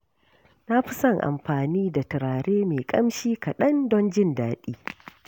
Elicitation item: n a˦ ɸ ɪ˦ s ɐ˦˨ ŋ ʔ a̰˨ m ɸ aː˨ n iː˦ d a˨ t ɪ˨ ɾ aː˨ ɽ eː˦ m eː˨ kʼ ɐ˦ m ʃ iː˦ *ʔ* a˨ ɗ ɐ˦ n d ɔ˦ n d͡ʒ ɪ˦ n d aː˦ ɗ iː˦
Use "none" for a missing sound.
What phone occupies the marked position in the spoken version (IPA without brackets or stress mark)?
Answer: k